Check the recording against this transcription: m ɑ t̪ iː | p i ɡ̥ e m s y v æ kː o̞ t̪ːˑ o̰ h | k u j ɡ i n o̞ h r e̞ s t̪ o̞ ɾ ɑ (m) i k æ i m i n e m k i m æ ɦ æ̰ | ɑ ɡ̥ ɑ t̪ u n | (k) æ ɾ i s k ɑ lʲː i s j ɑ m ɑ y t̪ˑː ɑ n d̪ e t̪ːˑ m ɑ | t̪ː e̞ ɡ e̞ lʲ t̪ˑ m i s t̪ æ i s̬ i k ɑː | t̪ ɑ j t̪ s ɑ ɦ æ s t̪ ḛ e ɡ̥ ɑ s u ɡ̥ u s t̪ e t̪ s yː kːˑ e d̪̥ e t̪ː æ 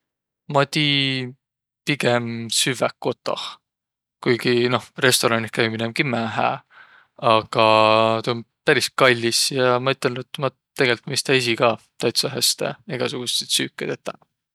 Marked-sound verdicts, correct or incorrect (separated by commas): incorrect, incorrect